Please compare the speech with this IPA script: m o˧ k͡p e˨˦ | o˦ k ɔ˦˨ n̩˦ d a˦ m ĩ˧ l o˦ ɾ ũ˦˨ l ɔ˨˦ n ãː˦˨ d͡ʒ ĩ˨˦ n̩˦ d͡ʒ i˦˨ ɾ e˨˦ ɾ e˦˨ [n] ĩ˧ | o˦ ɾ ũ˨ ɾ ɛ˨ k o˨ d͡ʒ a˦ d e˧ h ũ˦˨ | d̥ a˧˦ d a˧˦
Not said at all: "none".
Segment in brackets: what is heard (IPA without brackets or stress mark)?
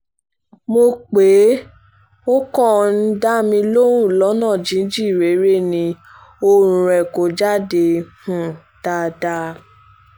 n